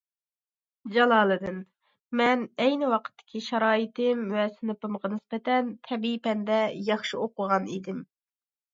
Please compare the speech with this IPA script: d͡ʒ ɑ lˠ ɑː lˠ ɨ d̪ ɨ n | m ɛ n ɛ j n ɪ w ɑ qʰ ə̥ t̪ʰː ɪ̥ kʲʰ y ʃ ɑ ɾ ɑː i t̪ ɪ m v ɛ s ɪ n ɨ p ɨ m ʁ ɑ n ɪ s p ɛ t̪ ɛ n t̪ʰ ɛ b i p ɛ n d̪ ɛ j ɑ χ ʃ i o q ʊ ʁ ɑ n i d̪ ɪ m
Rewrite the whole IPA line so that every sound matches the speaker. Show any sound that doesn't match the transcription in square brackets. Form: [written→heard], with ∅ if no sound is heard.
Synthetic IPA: d͡ʒ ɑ lˠ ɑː lˠ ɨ d̪ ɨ n | m ɛ n ɛ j n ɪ w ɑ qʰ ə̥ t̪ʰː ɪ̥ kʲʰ [y→i] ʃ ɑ ɾ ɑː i t̪ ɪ m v ɛ s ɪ n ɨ p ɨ m ʁ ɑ n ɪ s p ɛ t̪ ɛ n t̪ʰ ɛ b i p ɛ n d̪ ɛ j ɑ χ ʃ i o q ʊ ʁ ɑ n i d̪ ɪ m